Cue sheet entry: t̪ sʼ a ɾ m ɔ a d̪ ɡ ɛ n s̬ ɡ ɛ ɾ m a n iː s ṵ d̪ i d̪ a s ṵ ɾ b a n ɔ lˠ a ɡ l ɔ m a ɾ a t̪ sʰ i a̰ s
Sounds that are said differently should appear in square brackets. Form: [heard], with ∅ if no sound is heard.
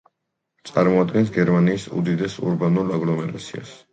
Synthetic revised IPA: t̪ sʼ a ɾ m ɔ a d̪ ɡ ɛ n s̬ ɡ ɛ ɾ m a n iː s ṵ d̪ i d̪ [ɛ] s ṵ ɾ b a n [u] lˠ a ɡ l ɔ m [ɛ] ɾ a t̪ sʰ i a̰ s